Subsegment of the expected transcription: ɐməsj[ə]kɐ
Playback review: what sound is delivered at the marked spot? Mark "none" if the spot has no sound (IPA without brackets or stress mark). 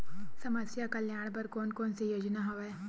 a